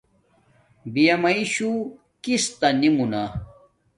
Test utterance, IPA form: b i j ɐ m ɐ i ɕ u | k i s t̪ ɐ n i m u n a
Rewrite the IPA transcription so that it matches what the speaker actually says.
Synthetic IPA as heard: b i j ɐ m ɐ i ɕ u | k i s t̪ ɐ n i m u n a